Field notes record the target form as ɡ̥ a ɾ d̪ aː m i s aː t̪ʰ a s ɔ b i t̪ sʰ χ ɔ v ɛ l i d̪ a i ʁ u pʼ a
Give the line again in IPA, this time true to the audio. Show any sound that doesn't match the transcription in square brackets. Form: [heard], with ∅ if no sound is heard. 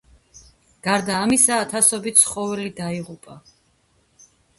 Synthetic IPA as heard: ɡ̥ a ɾ d̪ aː m i s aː t̪ʰ a s ɔ b i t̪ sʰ χ ɔ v ɛ l i d̪ a i ʁ u pʼ a